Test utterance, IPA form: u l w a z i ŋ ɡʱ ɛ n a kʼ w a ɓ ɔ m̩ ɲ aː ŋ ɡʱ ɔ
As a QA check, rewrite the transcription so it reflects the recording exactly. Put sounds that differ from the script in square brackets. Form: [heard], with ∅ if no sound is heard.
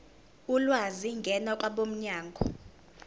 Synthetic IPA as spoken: u l w a z i ŋ ɡʱ ɛ n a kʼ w a ɓ [o] m̩ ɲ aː ŋ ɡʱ ɔ